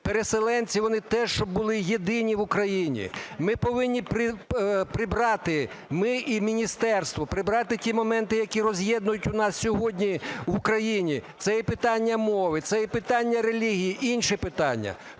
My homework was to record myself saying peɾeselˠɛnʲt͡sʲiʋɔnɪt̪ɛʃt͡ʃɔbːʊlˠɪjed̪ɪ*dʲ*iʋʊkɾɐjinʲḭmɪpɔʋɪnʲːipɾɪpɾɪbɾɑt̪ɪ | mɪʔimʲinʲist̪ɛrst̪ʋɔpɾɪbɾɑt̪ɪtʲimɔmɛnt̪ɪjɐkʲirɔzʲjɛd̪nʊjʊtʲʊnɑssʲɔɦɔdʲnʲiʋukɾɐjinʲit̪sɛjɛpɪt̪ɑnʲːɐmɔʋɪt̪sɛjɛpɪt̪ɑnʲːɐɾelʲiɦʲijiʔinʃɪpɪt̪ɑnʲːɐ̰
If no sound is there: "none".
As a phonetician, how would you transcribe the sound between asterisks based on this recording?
nʲ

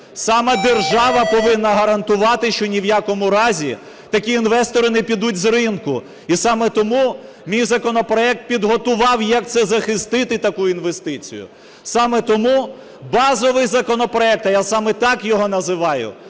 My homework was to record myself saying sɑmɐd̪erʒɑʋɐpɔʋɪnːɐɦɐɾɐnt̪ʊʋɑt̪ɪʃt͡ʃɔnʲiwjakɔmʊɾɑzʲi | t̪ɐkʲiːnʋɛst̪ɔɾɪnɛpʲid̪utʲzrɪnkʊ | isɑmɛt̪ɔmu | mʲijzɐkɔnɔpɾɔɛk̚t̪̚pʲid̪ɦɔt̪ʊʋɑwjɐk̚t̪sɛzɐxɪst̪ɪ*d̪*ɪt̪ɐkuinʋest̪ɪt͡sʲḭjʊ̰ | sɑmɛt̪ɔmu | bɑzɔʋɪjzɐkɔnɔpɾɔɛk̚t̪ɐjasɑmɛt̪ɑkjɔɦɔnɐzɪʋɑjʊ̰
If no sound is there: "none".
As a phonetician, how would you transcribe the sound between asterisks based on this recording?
t̪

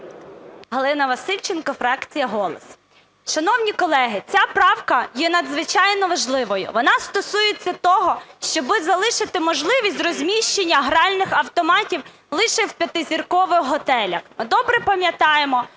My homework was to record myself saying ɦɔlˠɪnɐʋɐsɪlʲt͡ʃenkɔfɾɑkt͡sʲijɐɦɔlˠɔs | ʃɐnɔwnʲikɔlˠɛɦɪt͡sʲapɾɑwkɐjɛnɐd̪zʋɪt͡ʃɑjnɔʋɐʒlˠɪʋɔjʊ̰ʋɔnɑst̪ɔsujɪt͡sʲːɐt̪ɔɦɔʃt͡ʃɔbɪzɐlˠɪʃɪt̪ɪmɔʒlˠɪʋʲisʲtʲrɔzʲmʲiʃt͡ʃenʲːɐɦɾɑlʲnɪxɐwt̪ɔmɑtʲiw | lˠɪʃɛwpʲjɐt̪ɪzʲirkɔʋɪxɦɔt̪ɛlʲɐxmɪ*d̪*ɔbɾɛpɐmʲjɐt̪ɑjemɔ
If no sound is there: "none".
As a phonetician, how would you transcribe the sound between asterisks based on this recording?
d̪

